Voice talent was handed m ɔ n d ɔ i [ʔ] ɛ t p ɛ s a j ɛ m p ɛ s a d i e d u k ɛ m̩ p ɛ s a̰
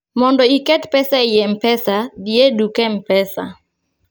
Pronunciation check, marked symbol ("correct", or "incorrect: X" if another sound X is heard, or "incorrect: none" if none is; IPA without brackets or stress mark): incorrect: k